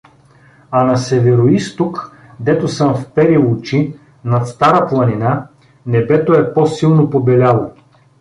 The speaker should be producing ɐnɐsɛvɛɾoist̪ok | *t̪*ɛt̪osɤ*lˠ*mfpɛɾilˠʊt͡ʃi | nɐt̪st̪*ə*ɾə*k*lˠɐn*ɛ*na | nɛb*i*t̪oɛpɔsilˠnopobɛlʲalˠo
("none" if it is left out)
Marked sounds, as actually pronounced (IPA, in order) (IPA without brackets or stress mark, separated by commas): d̪, none, a, p, i, ɛ